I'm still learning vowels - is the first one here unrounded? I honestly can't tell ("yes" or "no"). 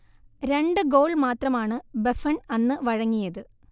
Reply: yes